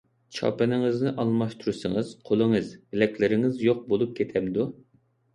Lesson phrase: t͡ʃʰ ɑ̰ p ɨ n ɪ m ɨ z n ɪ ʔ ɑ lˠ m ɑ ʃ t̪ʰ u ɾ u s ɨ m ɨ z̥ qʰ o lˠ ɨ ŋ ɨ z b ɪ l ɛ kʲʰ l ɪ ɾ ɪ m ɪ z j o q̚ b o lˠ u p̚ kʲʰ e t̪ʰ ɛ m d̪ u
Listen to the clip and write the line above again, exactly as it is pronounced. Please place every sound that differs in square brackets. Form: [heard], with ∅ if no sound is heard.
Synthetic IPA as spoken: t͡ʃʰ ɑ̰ p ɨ n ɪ [ŋ] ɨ z n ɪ ʔ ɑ lˠ m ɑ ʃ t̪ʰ u ɾ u s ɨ [ŋ] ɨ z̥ qʰ o lˠ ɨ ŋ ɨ z b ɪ l ɛ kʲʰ l ɪ ɾ ɪ [ŋ] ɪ z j o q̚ b o lˠ u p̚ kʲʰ e t̪ʰ ɛ m d̪ u